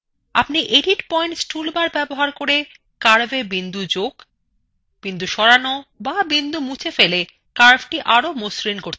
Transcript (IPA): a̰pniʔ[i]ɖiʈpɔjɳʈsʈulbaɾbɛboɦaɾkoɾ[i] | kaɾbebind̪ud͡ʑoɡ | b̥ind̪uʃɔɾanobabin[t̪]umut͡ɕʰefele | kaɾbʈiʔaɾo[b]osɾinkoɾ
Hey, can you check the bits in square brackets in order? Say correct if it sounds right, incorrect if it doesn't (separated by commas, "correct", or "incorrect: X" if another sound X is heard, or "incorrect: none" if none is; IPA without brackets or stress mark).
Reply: incorrect: e, incorrect: e, incorrect: d̪, incorrect: m